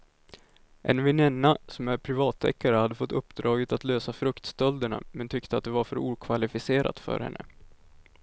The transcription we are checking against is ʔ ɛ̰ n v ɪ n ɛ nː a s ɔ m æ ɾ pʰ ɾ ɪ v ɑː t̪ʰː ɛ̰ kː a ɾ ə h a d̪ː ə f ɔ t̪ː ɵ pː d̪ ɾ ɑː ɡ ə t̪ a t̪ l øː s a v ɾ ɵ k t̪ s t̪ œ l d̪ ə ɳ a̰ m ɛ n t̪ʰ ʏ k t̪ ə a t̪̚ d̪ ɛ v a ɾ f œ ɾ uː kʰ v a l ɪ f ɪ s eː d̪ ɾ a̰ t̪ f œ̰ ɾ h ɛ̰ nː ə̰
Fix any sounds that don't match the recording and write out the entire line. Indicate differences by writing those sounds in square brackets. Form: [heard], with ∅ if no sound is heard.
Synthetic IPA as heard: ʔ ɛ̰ n v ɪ n ɛ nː a s ɔ m æ ɾ pʰ ɾ ɪ v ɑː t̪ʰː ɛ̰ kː a ɾ ə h a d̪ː ə f ɔ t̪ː ɵ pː d̪ ɾ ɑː ɡ ə t̪ a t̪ l øː s a [f] ɾ ɵ k t̪ s t̪ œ l d̪ ə ɳ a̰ m ɛ n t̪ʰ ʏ k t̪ ə a t̪̚ d̪ ɛ v a ɾ f œ ɾ uː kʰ v a l ɪ f ɪ s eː [∅] ɾ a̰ t̪ f œ̰ ɾ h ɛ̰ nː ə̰